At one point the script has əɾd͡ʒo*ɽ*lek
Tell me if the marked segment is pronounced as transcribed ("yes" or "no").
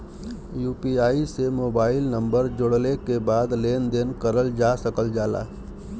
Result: yes